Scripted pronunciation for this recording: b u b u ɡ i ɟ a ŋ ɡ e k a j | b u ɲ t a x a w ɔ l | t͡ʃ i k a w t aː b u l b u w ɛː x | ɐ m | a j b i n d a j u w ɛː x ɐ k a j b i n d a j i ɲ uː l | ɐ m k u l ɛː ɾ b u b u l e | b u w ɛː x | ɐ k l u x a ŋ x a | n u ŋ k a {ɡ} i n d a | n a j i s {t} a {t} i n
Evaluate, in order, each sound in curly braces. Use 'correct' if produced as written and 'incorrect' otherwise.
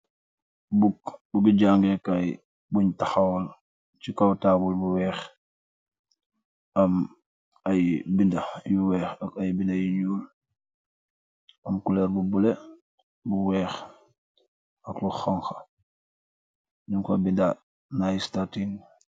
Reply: incorrect: b, correct, correct

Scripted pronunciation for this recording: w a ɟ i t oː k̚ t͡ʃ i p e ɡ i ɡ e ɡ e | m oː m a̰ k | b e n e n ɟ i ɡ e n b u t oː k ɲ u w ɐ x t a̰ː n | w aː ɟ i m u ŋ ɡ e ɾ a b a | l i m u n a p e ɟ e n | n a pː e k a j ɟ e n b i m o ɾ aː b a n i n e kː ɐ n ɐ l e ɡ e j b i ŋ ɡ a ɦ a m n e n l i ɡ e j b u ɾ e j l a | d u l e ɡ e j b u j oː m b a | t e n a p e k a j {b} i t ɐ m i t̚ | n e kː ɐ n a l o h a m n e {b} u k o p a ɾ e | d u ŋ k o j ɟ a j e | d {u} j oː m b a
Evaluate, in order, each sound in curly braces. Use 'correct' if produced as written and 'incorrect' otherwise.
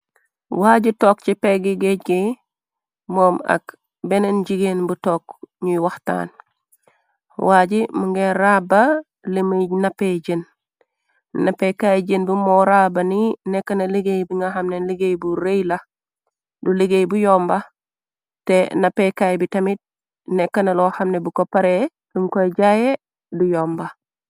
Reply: correct, correct, correct

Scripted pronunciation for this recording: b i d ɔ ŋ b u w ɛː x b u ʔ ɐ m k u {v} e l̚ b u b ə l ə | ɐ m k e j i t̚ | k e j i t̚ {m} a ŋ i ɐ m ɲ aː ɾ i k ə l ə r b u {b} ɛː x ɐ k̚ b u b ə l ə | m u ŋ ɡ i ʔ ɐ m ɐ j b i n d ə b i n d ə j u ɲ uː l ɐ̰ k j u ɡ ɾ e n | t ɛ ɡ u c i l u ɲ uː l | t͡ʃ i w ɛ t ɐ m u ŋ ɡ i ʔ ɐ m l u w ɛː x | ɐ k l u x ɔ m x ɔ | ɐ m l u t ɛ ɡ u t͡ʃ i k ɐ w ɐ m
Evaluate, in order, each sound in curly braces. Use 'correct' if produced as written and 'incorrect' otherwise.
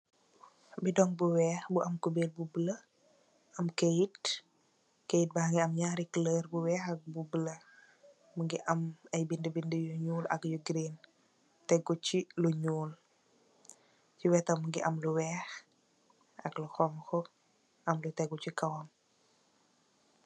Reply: incorrect: b, incorrect: b, incorrect: w

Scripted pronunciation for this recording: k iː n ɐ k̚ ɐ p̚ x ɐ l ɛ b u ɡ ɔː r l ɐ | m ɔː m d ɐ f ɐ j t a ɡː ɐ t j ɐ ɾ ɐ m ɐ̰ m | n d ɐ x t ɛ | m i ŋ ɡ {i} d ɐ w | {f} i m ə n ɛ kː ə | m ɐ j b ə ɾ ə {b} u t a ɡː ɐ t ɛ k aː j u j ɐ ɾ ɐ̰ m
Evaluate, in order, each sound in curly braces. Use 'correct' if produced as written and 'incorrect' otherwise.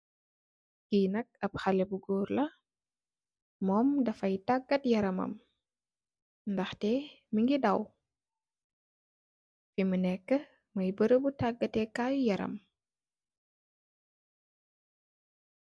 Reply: correct, correct, correct

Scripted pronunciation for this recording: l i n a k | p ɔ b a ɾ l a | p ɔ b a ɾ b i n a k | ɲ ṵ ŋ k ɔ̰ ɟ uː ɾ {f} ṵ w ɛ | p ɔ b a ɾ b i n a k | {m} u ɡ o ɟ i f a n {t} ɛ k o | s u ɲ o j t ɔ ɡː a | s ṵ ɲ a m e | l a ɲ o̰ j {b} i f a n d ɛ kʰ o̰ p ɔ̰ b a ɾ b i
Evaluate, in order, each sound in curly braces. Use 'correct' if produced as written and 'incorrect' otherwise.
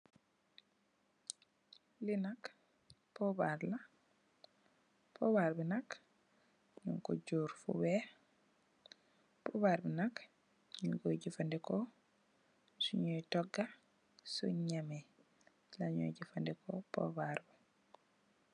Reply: correct, incorrect: ɲ, incorrect: d, incorrect: ɟ

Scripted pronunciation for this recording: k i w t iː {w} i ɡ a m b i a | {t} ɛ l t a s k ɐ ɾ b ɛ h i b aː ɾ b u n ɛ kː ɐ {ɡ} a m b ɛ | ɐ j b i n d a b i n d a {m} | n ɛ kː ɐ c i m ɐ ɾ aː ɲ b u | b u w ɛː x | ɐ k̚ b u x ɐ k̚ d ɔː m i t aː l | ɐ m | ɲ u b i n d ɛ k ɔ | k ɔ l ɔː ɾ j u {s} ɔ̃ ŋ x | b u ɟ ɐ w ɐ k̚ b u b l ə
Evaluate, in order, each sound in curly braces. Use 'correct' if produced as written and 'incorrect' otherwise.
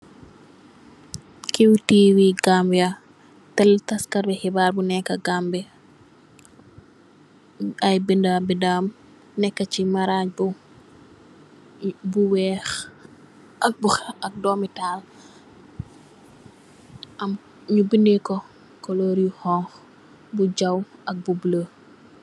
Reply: correct, correct, correct, correct, incorrect: h

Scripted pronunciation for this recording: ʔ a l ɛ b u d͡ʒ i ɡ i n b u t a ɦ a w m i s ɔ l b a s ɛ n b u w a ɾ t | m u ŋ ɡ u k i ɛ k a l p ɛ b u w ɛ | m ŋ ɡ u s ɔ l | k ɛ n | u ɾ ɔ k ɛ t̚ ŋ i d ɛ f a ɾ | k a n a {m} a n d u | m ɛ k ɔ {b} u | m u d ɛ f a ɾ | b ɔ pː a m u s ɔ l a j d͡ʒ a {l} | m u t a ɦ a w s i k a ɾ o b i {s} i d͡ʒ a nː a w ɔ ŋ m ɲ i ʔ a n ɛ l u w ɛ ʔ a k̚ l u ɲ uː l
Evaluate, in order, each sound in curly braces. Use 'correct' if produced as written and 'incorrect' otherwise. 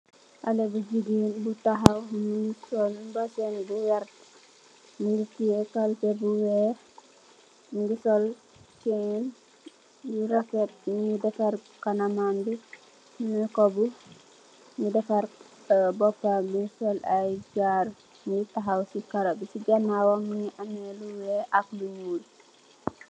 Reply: correct, correct, incorrect: ɾ, correct

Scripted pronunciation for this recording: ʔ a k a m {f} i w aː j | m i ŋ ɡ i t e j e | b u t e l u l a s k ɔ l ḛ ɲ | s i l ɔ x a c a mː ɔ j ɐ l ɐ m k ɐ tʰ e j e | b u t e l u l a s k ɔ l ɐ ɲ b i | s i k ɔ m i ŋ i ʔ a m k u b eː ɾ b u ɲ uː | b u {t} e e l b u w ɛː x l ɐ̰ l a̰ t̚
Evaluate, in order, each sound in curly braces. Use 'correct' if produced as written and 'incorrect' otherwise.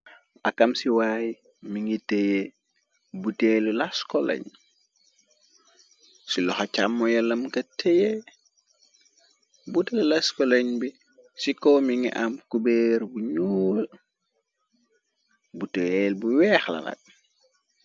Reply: incorrect: s, correct

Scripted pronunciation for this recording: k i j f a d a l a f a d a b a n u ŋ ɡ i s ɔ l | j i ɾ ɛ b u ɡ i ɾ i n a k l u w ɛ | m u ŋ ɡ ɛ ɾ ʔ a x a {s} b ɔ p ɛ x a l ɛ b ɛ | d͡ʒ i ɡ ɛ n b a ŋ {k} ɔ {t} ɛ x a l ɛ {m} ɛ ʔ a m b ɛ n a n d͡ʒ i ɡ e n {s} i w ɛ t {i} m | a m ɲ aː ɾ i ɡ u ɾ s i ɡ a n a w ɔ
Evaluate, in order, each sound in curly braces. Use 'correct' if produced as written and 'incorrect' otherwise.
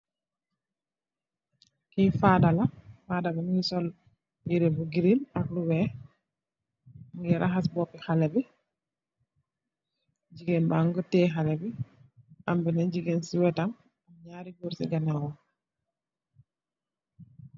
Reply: correct, incorrect: ɡ, correct, incorrect: b, correct, incorrect: a

